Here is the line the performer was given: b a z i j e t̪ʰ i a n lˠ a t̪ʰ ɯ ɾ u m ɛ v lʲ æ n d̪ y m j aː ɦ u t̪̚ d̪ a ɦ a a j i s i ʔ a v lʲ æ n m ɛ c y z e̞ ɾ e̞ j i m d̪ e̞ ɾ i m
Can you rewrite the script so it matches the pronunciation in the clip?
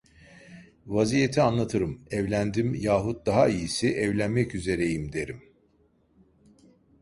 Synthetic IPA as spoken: v a z i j e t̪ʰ i a n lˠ a t̪ʰ ɯ ɾ ɯ m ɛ v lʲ æ n d̪ i m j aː ɦ u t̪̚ d̪ a ɦ a i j i s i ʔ ɛ v lʲ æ n m ɛ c y z e̞ ɾ e̞ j i m d̪ e̞ ɾ i m